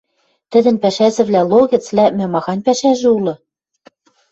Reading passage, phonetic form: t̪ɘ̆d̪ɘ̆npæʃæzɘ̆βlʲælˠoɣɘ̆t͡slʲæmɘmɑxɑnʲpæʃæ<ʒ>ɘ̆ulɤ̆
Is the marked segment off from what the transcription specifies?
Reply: no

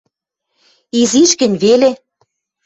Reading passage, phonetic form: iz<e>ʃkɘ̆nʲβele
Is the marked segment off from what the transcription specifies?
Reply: yes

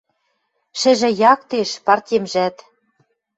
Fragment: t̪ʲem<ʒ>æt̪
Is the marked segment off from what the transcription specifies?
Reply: no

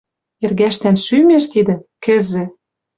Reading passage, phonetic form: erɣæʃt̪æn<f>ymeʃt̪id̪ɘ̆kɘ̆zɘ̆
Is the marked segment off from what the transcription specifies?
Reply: yes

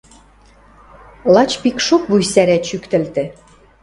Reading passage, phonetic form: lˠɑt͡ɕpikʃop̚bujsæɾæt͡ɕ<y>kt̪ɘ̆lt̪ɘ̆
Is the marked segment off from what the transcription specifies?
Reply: no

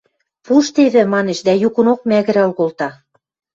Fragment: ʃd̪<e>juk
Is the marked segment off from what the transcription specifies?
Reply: yes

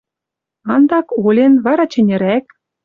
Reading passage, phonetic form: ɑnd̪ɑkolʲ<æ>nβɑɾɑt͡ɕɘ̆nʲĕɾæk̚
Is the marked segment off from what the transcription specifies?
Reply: yes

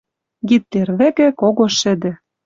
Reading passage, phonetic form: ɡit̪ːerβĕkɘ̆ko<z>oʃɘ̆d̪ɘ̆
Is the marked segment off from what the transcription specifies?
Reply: yes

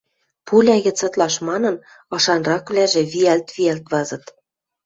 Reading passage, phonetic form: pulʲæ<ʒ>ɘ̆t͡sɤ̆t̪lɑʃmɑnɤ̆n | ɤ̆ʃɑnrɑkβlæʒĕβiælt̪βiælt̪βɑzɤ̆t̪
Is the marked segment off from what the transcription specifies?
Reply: yes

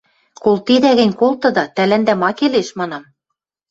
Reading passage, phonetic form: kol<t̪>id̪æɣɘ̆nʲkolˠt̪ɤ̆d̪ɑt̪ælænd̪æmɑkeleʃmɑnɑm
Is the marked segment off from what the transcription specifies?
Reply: no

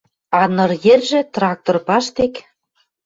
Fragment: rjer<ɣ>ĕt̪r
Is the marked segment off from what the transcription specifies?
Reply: yes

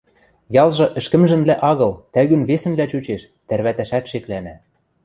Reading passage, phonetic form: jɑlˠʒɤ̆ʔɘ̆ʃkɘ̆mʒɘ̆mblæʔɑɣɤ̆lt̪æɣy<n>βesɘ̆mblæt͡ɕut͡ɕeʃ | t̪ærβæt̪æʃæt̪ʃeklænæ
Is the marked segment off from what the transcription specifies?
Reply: no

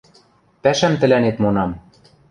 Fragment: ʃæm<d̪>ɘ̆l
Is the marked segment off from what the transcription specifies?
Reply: yes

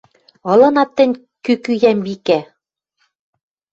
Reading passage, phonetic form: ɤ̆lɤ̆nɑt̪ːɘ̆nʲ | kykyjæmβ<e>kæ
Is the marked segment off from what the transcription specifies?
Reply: yes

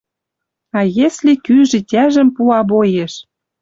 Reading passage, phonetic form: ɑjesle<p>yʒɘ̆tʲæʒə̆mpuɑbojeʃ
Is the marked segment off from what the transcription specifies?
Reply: yes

